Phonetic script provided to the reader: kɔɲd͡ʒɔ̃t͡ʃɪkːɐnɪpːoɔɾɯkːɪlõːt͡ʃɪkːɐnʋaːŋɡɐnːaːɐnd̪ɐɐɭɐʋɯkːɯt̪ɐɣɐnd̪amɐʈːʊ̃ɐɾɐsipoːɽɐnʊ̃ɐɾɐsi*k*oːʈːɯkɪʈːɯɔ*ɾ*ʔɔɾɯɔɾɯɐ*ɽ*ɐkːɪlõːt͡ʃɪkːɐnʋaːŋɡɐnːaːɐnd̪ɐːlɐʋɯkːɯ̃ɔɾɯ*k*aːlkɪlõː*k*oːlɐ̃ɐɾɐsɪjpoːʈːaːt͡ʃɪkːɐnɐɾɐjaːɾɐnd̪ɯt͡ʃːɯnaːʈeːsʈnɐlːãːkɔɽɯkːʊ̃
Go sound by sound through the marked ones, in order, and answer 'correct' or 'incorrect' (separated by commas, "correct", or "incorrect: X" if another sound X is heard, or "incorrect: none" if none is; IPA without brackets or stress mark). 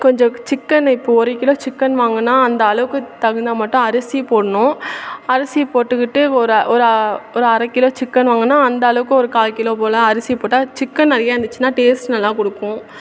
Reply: incorrect: p, correct, incorrect: ɾ, correct, incorrect: p